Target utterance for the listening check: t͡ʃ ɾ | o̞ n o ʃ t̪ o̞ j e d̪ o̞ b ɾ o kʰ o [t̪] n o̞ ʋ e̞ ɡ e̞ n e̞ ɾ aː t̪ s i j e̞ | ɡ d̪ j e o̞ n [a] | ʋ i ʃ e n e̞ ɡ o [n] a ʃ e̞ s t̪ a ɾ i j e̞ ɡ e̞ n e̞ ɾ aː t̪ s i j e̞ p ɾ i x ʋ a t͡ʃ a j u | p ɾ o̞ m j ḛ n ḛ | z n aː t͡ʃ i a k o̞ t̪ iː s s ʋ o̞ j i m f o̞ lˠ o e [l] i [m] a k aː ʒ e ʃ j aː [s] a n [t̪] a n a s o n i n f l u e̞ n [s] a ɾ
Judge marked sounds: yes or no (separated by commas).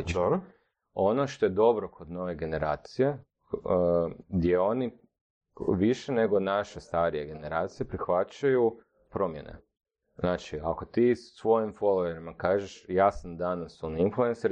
no, no, yes, no, yes, yes, no, yes